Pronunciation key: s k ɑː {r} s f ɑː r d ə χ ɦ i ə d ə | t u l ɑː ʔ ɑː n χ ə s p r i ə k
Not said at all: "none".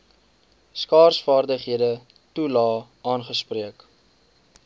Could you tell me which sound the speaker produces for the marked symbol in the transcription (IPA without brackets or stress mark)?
r